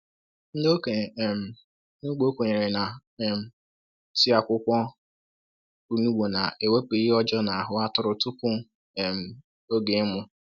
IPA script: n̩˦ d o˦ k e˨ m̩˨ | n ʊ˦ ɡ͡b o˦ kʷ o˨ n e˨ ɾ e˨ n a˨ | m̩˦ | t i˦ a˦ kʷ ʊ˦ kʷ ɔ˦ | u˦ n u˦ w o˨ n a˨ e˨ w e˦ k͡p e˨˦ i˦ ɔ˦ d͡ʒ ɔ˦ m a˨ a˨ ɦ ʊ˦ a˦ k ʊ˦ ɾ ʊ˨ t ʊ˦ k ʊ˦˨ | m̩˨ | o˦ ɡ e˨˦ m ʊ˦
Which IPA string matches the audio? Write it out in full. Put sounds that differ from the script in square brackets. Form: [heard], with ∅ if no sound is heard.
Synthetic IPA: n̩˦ d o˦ k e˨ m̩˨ | n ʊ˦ ɡ͡b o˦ kʷ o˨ [ɲ] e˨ ɾ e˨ n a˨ | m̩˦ | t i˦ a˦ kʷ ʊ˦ kʷ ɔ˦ | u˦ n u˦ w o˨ n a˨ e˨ w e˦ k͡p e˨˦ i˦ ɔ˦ d͡ʒ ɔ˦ [n] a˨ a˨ ɦ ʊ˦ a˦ [t] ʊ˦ ɾ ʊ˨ t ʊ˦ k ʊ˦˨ | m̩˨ | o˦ ɡ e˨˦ m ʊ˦

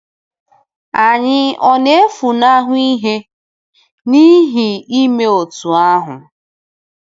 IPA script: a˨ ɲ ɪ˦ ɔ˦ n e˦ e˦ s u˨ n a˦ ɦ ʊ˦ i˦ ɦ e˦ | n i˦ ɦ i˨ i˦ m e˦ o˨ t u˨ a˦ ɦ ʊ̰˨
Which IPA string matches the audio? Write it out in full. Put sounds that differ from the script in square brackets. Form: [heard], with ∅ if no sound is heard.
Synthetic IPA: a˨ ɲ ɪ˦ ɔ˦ n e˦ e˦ [f] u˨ n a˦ ɦ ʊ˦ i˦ ɦ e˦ | n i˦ ɦ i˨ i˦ m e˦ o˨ t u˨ a˦ ɦ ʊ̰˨

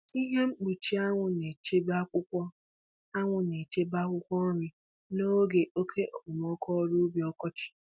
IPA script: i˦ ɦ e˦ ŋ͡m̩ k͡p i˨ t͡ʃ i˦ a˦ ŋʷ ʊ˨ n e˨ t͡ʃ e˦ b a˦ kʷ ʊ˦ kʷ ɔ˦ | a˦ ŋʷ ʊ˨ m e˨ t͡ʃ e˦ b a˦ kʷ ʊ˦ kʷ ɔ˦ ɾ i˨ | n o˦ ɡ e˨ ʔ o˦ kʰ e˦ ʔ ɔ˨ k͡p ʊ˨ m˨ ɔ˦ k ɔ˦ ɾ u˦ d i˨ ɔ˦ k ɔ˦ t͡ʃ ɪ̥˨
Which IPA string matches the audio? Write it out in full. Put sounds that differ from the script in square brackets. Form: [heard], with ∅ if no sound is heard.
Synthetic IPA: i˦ ɦ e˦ ŋ͡m̩ k͡p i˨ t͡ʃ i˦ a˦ ŋʷ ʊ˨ n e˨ t͡ʃ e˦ b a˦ kʷ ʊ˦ kʷ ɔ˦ | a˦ ŋʷ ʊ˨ [n] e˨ t͡ʃ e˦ b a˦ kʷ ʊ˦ kʷ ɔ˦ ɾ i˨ | n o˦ ɡ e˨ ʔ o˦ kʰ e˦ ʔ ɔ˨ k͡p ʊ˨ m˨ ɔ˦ k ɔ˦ ɾ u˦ [b] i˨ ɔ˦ k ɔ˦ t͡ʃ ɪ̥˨

